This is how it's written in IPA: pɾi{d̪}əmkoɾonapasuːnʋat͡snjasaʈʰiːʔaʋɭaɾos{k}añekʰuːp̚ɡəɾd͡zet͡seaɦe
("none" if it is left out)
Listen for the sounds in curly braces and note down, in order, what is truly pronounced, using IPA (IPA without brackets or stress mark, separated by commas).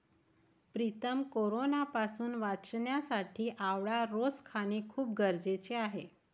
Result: t̪, kʰ